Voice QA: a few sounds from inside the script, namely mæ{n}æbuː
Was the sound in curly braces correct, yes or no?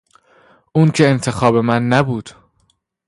no